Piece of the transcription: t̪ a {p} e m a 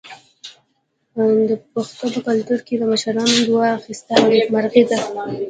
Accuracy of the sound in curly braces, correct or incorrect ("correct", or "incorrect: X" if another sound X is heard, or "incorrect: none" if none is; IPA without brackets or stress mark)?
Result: incorrect: none